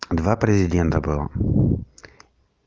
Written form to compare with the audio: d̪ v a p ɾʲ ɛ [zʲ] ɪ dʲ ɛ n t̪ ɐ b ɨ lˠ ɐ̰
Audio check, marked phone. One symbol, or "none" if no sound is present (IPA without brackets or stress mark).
zʲ